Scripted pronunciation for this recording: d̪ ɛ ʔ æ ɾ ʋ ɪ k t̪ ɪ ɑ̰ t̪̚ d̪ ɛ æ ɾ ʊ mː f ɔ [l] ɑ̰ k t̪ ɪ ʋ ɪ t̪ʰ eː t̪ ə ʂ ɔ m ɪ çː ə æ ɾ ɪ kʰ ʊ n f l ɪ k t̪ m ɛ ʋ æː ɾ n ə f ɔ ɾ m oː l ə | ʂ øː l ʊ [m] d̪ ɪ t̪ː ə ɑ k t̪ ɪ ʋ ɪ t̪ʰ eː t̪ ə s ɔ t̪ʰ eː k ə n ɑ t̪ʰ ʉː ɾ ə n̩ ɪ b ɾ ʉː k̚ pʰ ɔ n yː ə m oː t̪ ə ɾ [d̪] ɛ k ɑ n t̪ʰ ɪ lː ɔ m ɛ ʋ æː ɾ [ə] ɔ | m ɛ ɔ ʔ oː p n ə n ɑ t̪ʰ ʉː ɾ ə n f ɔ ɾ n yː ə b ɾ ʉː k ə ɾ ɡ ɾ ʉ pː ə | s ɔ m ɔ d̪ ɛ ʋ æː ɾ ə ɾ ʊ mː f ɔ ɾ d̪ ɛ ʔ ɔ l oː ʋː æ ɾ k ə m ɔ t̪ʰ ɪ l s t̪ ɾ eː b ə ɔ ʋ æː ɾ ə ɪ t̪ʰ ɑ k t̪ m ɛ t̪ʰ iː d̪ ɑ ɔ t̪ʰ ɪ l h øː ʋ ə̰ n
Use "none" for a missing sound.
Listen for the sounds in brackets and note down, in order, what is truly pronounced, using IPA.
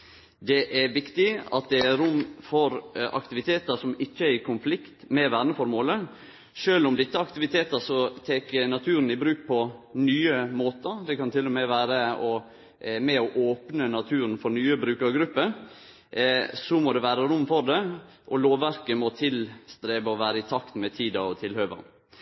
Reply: ɾ, m, d̪, ə

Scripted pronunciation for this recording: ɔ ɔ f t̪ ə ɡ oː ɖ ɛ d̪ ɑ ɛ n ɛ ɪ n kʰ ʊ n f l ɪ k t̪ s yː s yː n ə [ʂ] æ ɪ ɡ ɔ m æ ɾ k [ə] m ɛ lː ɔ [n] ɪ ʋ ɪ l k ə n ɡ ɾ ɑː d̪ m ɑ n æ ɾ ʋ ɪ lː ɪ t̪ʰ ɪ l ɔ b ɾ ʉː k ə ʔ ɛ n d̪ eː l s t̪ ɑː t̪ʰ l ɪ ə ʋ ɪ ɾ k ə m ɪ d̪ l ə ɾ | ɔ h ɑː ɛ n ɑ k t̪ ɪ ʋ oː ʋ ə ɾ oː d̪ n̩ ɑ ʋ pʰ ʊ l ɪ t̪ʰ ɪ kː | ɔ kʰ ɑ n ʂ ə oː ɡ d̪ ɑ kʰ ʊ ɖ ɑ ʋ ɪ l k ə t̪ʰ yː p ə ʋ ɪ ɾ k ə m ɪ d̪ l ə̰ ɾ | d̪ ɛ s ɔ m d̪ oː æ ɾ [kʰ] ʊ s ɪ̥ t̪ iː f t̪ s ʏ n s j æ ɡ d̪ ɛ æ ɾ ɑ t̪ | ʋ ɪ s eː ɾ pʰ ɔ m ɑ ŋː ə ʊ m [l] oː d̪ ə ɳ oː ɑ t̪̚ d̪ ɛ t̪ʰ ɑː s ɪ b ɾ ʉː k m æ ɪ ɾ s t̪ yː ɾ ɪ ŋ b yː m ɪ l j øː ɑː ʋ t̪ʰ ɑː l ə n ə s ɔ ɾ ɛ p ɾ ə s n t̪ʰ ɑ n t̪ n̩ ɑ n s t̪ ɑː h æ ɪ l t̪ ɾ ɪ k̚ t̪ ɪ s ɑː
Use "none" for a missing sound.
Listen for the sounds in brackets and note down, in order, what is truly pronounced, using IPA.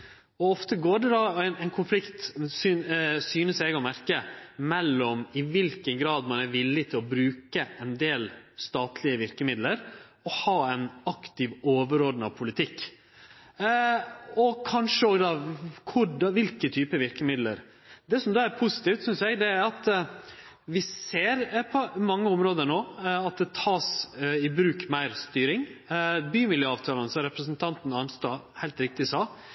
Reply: s, ə, m, pʰ, ɾ

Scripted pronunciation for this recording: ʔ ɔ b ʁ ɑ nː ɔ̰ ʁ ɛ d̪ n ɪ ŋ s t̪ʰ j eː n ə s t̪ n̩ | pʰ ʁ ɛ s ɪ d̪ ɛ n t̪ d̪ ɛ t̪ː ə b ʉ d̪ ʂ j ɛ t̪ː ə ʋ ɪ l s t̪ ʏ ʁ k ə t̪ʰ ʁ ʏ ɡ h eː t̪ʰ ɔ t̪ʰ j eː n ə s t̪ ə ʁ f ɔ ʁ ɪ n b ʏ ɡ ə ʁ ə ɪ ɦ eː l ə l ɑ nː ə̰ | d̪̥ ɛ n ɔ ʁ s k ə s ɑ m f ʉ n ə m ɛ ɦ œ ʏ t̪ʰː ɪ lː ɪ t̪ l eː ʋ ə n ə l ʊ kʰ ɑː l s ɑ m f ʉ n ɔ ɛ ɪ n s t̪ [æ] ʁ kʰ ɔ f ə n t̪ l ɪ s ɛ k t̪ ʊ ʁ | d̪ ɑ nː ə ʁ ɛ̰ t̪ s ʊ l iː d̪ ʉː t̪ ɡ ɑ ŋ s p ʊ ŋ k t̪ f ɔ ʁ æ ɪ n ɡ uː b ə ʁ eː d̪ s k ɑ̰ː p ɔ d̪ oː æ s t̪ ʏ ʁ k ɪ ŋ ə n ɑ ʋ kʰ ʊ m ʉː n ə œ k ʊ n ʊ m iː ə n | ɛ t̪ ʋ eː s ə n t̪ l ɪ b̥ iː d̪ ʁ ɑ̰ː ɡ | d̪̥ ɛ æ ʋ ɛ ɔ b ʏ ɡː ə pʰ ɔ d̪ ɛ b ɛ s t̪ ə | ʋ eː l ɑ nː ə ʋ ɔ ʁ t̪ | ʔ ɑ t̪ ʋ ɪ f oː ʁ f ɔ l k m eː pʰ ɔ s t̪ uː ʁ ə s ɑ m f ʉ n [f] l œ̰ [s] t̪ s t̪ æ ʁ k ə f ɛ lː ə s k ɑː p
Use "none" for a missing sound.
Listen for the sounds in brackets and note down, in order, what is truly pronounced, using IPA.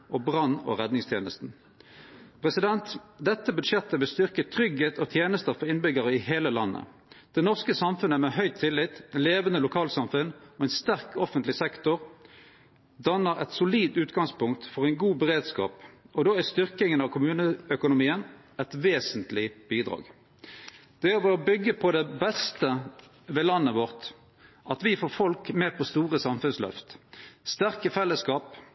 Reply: æ, s, f

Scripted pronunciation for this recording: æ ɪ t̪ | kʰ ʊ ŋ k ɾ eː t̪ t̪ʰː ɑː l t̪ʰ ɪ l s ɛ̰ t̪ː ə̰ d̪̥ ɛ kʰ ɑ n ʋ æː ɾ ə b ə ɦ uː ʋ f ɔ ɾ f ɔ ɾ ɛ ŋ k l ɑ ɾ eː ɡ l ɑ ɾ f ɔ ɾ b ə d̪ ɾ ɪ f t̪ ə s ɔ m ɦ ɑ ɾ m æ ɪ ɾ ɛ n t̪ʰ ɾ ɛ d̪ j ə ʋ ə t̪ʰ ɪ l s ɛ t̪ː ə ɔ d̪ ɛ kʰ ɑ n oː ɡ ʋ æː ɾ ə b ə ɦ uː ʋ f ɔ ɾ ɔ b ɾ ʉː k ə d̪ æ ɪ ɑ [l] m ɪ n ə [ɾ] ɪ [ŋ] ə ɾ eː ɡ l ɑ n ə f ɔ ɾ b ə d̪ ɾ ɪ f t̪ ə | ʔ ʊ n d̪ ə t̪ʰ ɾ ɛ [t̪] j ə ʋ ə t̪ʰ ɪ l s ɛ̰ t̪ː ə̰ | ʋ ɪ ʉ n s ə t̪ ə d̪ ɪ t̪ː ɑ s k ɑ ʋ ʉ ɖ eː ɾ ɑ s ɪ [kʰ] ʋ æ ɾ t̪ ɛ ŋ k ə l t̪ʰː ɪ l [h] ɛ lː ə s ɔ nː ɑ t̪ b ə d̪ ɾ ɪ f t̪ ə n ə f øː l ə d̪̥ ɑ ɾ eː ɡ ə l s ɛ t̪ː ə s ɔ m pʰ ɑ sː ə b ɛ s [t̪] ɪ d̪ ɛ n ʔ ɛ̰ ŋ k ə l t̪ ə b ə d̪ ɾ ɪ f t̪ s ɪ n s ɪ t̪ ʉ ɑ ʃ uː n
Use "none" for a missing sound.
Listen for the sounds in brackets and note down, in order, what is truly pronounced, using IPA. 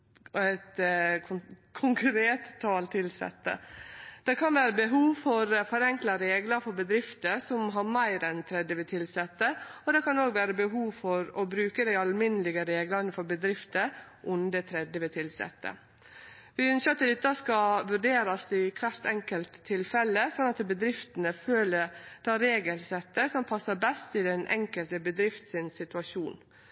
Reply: l, l, ɡ, d̪, kʰ, f, t̪

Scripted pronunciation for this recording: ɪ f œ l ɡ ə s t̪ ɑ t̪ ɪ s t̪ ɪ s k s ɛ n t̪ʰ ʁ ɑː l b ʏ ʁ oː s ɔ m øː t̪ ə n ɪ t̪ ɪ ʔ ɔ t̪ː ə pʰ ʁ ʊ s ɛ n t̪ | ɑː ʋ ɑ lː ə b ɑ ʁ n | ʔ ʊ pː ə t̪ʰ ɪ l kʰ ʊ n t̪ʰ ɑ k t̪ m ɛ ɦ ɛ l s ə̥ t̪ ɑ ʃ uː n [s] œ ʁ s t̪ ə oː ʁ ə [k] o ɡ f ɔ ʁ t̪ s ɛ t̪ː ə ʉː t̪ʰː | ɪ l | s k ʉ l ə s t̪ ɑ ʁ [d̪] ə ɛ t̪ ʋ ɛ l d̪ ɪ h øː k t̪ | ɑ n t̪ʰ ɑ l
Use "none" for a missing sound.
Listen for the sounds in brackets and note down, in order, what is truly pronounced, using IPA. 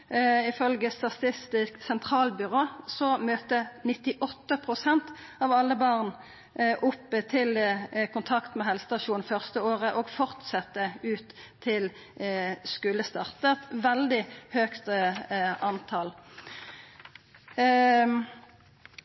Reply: f, ʔ, t̪

